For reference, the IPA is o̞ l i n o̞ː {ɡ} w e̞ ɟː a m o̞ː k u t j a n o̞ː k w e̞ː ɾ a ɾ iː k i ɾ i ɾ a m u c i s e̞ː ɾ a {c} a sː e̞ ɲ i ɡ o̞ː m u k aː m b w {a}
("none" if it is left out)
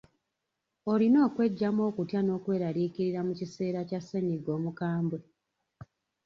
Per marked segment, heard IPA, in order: k, c, e

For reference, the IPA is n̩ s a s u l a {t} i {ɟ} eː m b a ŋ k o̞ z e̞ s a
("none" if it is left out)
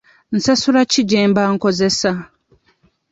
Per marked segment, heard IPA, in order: c, ɟ

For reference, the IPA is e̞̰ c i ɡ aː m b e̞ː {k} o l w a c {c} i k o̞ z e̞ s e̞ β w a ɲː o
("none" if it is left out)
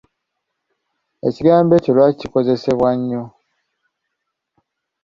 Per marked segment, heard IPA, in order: c, c

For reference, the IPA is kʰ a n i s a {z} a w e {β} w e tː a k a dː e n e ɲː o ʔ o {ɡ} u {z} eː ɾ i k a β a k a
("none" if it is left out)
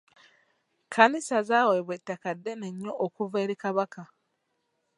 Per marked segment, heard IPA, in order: z, β, k, v

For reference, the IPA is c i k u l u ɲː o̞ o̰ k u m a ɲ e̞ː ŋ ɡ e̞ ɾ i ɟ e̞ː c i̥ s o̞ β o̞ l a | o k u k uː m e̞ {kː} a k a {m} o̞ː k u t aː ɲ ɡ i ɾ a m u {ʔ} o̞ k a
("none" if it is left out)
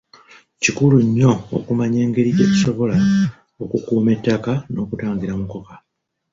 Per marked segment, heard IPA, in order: tː, n, k

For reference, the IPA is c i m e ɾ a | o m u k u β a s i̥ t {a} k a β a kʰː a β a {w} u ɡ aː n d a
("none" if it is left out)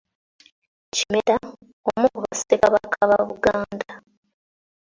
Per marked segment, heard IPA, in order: e, β

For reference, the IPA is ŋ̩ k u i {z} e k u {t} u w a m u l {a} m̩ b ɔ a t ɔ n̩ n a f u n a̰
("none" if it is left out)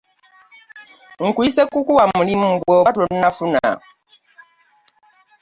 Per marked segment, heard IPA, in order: s, k, i

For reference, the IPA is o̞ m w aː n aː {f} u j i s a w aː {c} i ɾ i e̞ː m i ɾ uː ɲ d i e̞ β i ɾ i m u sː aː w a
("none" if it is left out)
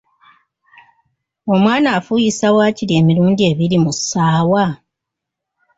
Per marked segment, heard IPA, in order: f, c

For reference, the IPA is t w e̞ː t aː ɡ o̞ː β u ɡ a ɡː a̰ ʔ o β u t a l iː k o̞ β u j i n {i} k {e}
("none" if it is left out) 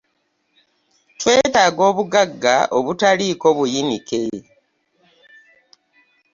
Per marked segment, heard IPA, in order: i, e

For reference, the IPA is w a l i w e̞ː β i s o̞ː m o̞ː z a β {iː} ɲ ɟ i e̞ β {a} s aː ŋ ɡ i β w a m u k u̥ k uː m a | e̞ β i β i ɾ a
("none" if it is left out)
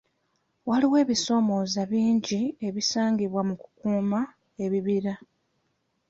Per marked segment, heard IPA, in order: iː, i

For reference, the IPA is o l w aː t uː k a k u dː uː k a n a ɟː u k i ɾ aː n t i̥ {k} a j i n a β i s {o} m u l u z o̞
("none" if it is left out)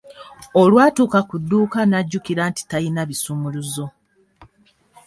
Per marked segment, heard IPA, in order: t, u

